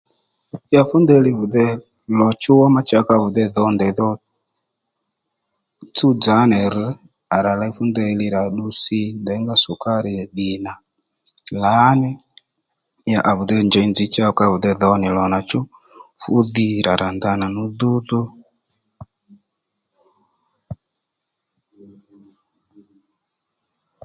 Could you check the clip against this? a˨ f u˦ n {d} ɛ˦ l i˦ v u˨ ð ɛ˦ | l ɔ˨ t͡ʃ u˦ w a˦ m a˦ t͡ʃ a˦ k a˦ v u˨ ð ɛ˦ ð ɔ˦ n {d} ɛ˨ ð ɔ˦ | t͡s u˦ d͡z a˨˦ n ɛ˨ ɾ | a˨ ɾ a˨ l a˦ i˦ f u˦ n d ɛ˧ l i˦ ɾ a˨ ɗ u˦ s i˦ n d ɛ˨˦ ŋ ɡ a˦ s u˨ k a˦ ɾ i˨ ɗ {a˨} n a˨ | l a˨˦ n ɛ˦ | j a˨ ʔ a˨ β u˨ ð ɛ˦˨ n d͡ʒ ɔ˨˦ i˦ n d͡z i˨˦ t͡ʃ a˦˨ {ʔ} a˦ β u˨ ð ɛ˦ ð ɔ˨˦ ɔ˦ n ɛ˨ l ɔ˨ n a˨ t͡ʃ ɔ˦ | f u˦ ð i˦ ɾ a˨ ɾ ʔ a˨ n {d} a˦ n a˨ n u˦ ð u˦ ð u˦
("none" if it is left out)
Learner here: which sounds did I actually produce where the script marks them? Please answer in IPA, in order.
d, d, i˨, k, d

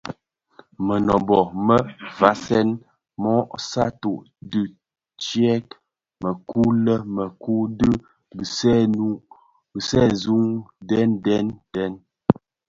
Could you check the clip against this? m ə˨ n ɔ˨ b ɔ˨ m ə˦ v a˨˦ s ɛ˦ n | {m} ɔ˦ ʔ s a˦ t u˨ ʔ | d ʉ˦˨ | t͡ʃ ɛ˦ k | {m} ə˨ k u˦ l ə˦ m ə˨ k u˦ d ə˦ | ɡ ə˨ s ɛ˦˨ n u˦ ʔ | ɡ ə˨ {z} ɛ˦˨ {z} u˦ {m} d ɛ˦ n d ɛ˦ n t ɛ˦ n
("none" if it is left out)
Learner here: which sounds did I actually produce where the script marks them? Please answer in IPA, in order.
m, m, s, z, ŋ

